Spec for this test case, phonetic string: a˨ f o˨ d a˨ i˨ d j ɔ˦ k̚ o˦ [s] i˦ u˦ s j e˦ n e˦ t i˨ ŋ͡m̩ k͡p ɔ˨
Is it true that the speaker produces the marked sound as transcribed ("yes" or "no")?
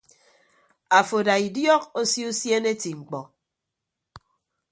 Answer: yes